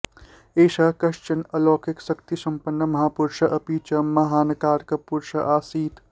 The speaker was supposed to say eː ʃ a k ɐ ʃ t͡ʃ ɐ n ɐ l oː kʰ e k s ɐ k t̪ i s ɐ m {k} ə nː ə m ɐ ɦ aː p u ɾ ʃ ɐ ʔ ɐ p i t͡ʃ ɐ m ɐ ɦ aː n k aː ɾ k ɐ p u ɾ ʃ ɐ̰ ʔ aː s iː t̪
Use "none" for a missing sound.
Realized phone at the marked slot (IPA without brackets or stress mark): p